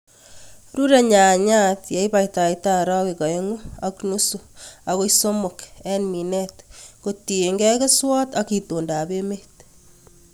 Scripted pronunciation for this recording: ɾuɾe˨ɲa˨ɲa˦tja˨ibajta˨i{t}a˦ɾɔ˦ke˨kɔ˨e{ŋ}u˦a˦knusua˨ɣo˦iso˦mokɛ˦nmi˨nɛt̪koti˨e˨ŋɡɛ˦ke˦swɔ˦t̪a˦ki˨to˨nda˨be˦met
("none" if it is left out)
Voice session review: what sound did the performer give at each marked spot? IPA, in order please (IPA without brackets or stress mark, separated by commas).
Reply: t, ŋ